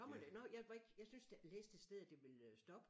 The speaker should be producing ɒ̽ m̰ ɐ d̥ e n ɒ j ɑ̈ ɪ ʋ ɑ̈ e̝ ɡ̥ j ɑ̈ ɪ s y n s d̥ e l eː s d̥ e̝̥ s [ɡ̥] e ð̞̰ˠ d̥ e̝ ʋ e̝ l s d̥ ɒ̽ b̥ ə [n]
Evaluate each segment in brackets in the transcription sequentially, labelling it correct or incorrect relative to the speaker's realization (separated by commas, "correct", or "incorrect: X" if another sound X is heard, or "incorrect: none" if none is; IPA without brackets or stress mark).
incorrect: d̥, incorrect: none